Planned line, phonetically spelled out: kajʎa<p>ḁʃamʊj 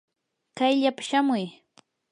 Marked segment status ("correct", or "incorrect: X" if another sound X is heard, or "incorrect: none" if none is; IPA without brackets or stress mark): correct